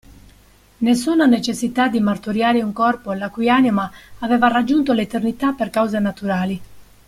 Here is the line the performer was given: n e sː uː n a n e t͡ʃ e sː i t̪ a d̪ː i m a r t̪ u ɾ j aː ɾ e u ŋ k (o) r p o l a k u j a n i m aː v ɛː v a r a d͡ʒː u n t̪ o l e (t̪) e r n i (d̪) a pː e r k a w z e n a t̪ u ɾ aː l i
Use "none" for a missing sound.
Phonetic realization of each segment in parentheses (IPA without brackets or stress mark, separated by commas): ɔ, t̪, t̪